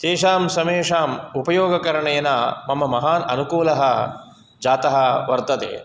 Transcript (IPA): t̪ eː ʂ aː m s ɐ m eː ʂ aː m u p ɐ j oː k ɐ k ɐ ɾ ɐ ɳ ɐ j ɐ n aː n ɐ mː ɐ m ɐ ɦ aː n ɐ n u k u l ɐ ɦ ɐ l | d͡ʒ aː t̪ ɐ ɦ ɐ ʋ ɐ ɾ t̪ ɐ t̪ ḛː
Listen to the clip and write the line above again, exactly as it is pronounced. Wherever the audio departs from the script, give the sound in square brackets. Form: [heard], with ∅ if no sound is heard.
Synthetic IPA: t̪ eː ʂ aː m s ɐ m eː ʂ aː m u p ɐ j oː [ɡ] ɐ k ɐ ɾ ɐ ɳ ɐ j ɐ n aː [m] ɐ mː ɐ m ɐ ɦ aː n ɐ n u k [uː] l ɐ ɦ ɐ [∅] | d͡ʒ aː t̪ ɐ ɦ ɐ ʋ ɐ ɾ t̪ ɐ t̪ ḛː